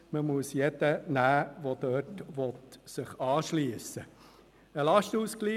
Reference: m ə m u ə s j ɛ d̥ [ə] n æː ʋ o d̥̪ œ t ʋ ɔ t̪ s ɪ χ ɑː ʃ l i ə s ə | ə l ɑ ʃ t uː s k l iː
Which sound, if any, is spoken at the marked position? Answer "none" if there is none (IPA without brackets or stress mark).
ə